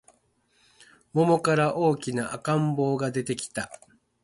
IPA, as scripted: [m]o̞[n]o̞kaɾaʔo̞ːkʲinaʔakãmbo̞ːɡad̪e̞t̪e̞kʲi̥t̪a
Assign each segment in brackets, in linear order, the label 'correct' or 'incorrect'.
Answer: correct, incorrect: m

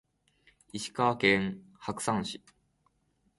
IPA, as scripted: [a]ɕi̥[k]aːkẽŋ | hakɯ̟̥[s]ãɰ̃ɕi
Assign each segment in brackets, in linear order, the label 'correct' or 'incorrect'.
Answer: incorrect: i, correct, correct

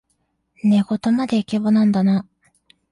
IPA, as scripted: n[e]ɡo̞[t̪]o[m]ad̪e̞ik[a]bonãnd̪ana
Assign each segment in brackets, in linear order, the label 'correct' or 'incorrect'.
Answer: correct, correct, correct, incorrect: e

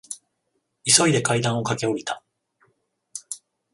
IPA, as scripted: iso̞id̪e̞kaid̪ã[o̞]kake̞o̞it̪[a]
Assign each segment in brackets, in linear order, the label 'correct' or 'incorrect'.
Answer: correct, correct

